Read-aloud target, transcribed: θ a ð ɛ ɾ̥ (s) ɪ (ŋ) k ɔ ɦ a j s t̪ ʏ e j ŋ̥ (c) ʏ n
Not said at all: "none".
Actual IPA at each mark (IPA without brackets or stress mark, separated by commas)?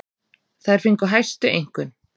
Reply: f, ŋ, k